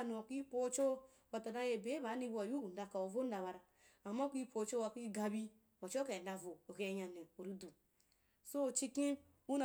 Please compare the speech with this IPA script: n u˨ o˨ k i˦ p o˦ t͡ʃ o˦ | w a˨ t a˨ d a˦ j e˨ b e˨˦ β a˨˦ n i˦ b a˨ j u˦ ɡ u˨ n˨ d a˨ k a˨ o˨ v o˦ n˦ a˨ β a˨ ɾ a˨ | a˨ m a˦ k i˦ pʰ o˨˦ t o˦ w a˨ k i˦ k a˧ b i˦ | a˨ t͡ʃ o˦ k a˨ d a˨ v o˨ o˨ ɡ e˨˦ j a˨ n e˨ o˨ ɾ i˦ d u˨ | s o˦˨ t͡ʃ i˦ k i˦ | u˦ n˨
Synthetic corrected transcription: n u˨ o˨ k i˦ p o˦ t͡ʃ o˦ | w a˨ t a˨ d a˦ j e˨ b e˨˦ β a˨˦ n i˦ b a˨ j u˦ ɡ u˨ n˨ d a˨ k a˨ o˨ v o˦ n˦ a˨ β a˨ ɾ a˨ | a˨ m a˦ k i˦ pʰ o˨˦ t͡ʃ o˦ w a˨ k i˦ ɡ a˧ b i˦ | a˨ t͡ʃ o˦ k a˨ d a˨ v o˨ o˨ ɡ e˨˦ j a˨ n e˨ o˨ ɾ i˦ d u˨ | s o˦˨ t͡ʃ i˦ k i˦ | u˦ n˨